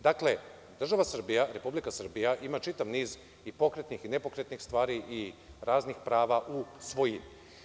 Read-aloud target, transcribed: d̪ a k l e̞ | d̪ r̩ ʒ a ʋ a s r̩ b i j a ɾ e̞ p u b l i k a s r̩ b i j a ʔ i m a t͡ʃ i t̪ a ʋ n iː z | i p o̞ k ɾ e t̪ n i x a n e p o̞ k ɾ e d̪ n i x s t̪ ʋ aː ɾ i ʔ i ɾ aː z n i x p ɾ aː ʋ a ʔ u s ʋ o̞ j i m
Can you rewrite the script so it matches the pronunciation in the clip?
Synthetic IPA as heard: d̪ a k l e̞ | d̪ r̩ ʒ a ʋ a s r̩ b i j a ɾ e̞ p u b l i k a s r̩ b i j a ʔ i m a t͡ʃ i t̪ a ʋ n iː z | i p o̞ k ɾ e t̪ n i x i n e p o̞ k ɾ e t̪ n i x s t̪ ʋ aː ɾ i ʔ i ɾ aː z n i x p ɾ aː ʋ a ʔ u s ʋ o̞ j i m